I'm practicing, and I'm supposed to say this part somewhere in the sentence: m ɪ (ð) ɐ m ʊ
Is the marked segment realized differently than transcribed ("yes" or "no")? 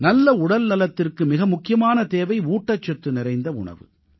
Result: yes